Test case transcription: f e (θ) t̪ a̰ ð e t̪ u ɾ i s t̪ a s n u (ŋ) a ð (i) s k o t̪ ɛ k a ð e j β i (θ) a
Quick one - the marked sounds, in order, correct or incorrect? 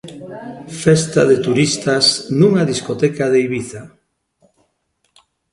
incorrect, correct, correct, correct

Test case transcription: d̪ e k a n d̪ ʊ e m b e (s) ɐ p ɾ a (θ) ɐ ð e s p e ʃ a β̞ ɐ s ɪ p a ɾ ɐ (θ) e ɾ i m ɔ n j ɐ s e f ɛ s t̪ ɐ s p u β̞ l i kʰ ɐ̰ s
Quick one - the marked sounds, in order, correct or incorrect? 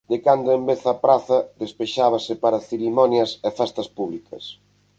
incorrect, correct, correct

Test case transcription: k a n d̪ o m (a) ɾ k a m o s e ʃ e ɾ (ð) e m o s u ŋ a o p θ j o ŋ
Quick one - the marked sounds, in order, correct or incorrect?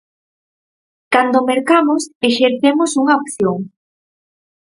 incorrect, incorrect

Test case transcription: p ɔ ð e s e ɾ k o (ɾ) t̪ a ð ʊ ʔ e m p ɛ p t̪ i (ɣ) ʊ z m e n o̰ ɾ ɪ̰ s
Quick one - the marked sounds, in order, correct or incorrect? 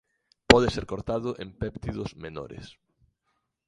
correct, incorrect

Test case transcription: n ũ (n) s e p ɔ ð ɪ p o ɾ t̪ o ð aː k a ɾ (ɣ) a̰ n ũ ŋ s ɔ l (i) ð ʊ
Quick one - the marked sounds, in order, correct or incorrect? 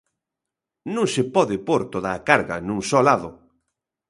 incorrect, correct, incorrect

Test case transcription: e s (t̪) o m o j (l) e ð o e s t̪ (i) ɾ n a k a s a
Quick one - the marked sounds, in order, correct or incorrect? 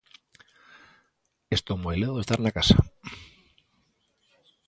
correct, correct, incorrect

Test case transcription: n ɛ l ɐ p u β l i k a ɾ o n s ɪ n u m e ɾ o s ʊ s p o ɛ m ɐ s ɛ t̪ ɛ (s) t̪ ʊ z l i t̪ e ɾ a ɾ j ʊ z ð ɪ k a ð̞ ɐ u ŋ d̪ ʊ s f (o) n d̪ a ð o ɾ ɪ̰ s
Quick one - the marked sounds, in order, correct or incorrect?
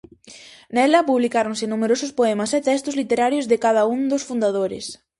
correct, incorrect

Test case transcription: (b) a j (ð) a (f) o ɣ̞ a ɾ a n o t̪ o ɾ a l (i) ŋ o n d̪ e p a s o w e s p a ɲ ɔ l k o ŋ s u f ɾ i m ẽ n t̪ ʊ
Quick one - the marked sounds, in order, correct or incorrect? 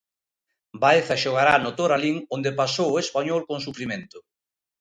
correct, incorrect, incorrect, correct

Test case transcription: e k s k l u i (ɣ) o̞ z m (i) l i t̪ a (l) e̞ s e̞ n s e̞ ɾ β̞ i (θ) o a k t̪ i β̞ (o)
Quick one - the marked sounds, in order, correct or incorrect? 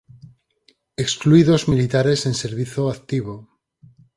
incorrect, correct, incorrect, correct, correct

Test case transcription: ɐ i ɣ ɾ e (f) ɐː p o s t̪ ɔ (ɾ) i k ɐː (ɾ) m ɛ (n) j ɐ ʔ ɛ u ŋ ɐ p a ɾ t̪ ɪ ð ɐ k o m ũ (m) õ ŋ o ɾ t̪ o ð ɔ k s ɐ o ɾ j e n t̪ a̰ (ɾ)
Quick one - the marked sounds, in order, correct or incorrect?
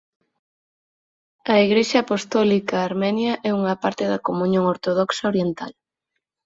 incorrect, incorrect, correct, correct, incorrect, incorrect

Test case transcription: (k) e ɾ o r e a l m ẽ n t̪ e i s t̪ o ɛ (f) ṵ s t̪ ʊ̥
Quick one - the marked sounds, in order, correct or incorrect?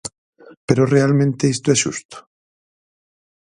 incorrect, incorrect

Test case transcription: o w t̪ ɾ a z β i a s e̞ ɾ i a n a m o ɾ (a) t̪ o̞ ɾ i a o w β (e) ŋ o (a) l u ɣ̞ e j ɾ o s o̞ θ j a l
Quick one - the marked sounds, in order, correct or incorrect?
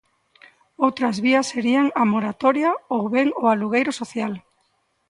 correct, correct, correct

